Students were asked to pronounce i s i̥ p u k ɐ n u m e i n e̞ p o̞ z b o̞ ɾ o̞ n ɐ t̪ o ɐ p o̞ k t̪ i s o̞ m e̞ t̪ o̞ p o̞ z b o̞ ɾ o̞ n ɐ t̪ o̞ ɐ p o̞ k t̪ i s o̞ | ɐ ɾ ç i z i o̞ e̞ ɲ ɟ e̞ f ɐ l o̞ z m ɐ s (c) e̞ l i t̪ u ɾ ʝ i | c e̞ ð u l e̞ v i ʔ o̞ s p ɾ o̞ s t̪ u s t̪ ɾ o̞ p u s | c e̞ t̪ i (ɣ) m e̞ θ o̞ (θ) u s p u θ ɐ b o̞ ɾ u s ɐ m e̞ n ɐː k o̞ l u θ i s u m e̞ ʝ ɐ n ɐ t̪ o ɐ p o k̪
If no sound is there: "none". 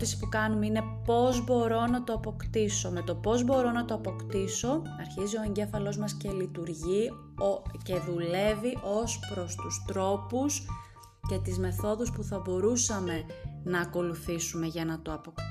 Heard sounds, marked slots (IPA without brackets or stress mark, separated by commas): c, z, ð